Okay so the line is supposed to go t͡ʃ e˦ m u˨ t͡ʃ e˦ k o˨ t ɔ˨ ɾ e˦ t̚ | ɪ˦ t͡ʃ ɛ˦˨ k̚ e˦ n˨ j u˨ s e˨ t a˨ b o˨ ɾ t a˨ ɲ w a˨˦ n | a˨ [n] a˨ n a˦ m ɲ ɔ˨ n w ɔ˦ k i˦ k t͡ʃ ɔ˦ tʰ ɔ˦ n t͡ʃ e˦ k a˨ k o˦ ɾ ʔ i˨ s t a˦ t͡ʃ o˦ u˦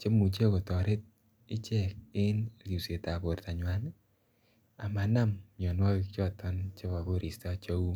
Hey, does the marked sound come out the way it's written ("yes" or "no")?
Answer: no